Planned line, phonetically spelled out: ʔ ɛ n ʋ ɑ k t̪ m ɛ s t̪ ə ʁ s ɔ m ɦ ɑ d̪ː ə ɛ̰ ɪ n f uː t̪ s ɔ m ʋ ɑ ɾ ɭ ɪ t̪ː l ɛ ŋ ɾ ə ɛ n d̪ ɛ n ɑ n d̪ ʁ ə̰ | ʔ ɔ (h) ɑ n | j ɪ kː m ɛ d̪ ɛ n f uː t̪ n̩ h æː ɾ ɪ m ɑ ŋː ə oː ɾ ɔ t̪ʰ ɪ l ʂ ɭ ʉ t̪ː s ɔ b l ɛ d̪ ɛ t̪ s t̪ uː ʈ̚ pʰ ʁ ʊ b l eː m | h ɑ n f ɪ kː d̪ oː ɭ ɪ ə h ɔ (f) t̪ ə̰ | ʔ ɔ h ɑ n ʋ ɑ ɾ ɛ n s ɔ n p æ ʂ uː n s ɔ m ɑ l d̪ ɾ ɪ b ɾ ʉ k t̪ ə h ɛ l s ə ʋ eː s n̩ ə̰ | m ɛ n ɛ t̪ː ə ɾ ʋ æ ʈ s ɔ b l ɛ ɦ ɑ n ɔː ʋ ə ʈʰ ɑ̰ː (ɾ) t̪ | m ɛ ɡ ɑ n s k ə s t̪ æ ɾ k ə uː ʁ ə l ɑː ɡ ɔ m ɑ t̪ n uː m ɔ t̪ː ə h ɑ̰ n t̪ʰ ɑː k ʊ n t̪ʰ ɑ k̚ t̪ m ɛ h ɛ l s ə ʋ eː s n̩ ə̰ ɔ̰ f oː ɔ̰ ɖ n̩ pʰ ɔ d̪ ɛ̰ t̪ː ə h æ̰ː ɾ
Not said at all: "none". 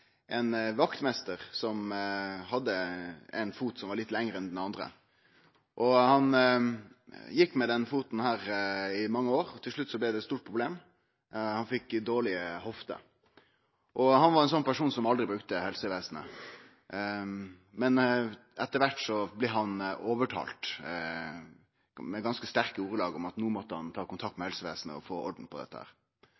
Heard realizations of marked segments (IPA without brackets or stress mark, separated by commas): h, f, l